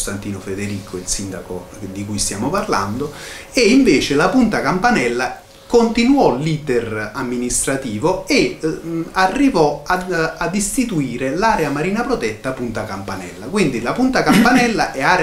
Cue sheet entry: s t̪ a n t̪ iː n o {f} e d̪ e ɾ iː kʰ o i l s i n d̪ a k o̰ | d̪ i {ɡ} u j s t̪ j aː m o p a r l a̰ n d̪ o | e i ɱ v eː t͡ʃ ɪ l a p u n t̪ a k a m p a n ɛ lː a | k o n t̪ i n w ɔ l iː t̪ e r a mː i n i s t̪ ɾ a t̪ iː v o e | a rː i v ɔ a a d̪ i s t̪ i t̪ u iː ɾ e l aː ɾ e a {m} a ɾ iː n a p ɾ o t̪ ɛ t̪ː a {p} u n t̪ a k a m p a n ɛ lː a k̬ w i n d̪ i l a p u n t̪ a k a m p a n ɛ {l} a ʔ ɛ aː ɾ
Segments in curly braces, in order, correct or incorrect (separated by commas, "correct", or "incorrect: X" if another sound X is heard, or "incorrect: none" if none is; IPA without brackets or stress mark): correct, incorrect: k, correct, correct, incorrect: lː